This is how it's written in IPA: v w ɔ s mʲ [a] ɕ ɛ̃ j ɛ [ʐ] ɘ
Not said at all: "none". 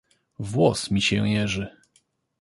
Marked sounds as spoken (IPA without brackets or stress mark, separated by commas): i, ʐ